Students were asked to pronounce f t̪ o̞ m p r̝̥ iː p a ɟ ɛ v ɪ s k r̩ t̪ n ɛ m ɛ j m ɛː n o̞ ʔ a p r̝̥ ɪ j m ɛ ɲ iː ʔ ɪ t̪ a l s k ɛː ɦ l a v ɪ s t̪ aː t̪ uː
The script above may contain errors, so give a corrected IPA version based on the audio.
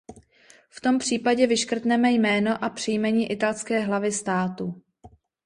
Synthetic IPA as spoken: f t̪ o̞ m p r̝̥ iː p a ɟ ɛ v ɪ ʃ k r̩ t̪ n ɛ m ɛ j m ɛː n o̞ ʔ a p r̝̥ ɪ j m ɛ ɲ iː ʔ ɪ t̪ a l s k ɛː ɦ l a v ɪ s t̪ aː t̪ u